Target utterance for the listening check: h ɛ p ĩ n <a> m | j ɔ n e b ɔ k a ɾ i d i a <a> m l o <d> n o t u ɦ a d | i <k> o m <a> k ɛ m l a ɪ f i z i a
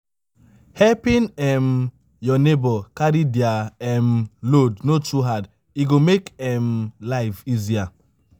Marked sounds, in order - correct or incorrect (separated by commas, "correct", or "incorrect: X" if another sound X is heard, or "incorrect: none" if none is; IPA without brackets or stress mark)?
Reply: incorrect: ɛ, incorrect: ɛ, correct, incorrect: ɡ, incorrect: e